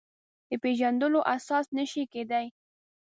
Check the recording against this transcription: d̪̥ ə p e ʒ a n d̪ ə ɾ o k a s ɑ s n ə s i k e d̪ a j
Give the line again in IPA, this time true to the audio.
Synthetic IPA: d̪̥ ə p e ʒ a n d̪ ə l o ʔ a s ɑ s n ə ʃ i k e d̪ a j